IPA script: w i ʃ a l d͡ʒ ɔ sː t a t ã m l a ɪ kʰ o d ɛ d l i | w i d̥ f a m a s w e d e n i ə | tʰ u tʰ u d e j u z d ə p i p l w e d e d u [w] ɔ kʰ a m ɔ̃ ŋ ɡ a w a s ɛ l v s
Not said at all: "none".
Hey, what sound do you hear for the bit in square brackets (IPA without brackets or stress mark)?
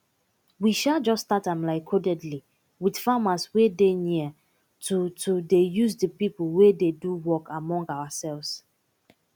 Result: w